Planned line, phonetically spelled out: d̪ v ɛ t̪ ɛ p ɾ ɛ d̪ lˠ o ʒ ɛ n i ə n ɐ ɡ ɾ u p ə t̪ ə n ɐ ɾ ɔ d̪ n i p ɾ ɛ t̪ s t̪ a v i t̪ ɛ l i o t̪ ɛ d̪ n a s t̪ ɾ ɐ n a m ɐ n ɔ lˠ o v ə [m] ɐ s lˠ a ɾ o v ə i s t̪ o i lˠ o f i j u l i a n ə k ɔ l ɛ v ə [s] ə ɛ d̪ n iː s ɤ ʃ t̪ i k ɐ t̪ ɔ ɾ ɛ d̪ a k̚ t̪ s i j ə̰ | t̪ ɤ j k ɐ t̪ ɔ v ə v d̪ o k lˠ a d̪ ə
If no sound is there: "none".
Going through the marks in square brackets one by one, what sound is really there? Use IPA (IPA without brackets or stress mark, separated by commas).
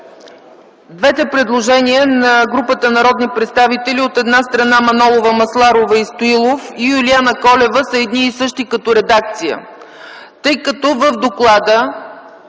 m, s